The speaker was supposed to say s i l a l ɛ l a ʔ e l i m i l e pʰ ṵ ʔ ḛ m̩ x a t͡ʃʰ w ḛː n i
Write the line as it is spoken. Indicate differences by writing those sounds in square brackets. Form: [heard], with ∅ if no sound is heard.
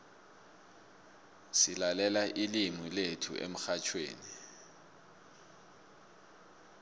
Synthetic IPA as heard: s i l a l ɛ l a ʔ [i] l i m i l e [tʰ] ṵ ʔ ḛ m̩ x a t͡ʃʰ w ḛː n i